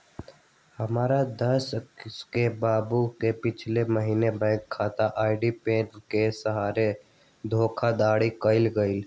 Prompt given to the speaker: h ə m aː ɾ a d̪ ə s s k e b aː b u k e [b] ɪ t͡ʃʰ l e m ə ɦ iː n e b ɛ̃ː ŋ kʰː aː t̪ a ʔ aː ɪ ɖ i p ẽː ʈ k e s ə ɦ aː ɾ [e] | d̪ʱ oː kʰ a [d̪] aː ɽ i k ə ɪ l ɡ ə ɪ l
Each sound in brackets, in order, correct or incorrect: incorrect: p, correct, correct

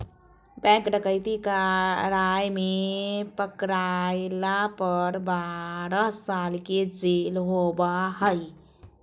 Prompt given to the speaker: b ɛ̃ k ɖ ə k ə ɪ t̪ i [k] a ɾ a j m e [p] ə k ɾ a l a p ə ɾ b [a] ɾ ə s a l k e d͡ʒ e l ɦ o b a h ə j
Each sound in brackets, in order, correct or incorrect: correct, correct, correct

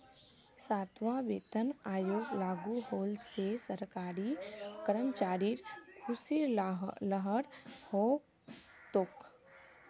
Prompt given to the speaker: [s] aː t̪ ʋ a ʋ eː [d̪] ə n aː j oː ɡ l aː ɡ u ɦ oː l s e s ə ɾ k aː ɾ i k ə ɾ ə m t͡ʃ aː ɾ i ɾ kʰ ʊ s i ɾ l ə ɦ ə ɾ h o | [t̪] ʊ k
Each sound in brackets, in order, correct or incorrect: correct, incorrect: t̪, correct

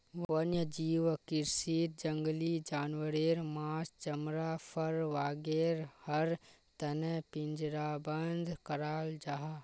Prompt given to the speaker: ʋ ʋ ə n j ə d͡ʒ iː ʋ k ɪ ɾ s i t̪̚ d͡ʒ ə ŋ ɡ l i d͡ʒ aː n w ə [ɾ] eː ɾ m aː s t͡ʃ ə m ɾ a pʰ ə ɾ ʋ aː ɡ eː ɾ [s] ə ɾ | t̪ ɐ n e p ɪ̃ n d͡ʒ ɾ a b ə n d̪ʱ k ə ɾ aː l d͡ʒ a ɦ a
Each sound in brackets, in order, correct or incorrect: correct, incorrect: h

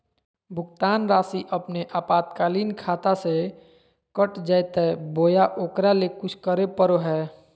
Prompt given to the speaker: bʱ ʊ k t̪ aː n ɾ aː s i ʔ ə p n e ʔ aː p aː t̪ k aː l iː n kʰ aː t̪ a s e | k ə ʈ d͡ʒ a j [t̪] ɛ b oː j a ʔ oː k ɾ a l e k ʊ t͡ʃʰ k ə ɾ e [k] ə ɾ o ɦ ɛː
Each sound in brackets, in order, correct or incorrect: correct, incorrect: p

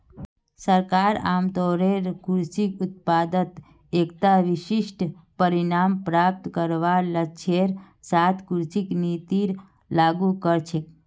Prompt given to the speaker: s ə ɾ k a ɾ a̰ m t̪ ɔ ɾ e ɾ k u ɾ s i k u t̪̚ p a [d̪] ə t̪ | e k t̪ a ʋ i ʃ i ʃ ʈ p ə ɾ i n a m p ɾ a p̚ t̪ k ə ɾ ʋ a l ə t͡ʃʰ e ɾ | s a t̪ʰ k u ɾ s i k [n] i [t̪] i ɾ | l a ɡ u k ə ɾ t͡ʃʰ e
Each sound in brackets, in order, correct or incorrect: correct, correct, correct

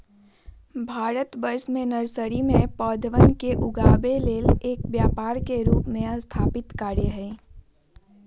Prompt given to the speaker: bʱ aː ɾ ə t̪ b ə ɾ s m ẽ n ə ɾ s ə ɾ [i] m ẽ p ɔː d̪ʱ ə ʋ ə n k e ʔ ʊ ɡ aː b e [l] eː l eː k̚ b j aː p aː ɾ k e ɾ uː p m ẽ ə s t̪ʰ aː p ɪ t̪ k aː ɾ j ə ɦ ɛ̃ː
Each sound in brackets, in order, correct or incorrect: correct, correct

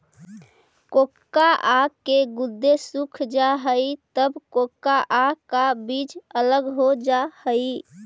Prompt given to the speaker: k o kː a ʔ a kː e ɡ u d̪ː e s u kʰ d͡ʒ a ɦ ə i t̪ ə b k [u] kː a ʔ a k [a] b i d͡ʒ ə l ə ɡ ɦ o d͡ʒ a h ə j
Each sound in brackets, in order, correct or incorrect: incorrect: o, correct

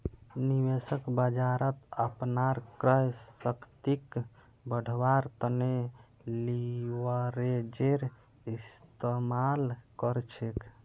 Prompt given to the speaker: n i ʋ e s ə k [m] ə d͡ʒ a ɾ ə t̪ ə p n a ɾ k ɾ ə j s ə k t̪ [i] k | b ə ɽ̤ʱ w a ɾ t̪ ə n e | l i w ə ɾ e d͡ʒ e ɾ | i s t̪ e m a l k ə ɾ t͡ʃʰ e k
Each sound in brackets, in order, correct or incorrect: incorrect: b, correct

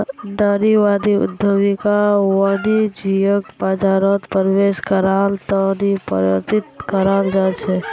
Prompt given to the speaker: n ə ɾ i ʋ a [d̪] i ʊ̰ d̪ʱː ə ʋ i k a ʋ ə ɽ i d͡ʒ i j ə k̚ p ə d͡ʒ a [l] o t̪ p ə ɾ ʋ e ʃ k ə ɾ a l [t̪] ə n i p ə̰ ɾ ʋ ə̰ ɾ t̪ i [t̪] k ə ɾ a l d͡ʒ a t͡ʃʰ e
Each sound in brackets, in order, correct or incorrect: correct, incorrect: ɾ, correct, correct

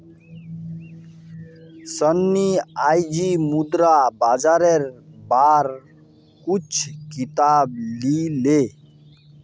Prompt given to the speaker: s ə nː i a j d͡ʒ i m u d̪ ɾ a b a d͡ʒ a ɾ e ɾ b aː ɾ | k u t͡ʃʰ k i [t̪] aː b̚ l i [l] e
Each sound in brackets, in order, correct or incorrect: correct, correct

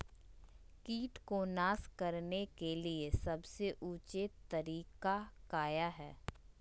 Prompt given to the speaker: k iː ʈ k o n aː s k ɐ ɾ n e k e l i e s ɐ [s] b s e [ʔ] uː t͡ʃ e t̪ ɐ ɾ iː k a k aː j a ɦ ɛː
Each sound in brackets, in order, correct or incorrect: incorrect: none, correct

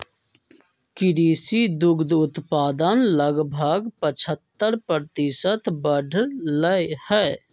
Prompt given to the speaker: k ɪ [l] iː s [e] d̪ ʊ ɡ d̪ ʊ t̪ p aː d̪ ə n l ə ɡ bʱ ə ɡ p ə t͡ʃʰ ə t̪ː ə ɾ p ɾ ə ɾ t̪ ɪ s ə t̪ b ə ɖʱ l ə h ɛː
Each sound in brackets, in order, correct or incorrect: incorrect: ɾ, incorrect: i

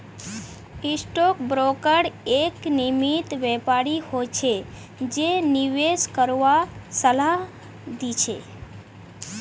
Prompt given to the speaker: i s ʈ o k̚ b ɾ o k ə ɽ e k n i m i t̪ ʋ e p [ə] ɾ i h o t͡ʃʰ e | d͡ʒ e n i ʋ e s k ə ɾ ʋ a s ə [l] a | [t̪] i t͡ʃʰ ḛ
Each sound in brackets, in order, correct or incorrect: incorrect: a, correct, incorrect: d̪

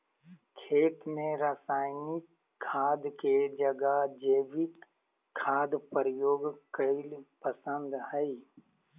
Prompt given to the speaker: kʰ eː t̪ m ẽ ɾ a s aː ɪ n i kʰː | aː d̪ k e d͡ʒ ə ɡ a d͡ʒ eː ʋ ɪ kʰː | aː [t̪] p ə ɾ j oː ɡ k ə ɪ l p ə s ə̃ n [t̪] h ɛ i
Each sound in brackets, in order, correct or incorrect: incorrect: d̪, incorrect: d̪

